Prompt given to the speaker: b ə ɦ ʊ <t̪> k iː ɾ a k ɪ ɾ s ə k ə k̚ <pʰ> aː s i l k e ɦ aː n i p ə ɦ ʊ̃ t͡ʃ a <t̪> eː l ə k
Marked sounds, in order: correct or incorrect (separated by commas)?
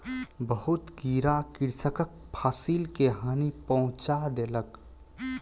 correct, correct, incorrect